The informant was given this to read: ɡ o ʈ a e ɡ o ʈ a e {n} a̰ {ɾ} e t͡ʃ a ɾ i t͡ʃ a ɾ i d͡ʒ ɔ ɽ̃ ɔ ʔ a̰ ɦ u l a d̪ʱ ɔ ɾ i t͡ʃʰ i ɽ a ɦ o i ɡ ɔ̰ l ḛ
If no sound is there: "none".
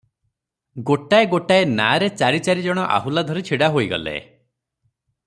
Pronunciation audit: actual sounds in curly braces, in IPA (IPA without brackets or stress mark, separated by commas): n, ɾ